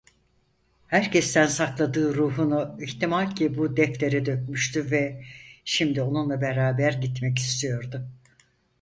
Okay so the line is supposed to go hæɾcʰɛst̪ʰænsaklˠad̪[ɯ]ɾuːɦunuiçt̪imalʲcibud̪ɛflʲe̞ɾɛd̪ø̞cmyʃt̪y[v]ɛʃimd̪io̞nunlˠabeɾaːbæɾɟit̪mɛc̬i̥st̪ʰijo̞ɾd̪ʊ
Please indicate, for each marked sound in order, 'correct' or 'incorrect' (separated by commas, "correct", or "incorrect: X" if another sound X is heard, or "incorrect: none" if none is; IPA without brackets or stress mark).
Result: incorrect: ɯː, correct